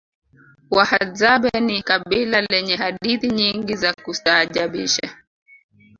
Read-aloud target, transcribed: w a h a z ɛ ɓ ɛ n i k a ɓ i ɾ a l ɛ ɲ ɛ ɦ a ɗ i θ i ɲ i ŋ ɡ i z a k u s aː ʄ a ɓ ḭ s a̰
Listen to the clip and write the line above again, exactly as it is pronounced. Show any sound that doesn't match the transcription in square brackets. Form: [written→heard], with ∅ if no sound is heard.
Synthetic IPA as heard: w a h a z [ɛ→a] ɓ ɛ n i k a ɓ i [ɾ→l] a l ɛ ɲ ɛ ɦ a ɗ i θ i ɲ i ŋ ɡ i z a k u s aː ʄ a ɓ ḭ [s→ʃ] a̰